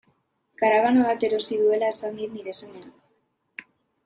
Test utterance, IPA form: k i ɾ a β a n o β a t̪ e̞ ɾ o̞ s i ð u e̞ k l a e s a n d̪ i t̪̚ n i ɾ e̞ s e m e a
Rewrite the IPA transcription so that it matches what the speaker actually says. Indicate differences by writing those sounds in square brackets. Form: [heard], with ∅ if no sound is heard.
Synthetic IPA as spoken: k [a] ɾ a β a n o β a t̪ e̞ ɾ o̞ s i ð u e̞ [∅] l a e s a n d̪ i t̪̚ n i ɾ e̞ s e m e a